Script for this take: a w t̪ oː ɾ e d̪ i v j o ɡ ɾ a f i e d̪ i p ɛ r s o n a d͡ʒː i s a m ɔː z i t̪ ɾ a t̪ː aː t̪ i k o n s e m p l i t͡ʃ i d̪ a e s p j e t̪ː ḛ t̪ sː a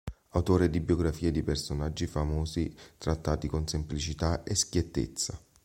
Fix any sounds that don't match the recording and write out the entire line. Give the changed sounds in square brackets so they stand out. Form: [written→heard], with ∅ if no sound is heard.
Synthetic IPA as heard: a w t̪ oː ɾ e d̪ i [v→b] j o ɡ ɾ a f [i→iː] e d̪ i p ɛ r s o n a d͡ʒː i [s→f] a m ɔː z i t̪ ɾ a t̪ː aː t̪ i k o n s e m p l i t͡ʃ i [d̪→t̪] a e s [p→k] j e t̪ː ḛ t̪ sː a